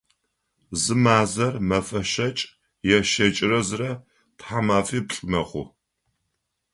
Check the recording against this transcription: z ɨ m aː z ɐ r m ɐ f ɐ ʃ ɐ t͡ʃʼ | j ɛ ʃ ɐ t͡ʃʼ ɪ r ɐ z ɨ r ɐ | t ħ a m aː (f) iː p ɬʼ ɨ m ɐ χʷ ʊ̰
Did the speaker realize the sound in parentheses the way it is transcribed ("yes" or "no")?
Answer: yes